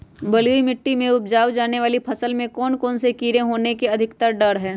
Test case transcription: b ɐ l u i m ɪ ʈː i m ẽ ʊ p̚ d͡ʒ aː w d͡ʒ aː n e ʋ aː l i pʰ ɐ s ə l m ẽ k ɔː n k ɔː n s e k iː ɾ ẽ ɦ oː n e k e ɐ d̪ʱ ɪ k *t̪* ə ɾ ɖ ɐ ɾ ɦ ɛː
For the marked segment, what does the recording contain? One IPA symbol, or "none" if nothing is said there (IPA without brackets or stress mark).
t̪